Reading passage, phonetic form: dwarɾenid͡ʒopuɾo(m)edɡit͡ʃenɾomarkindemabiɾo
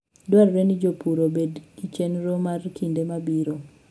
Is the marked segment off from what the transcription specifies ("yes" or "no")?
yes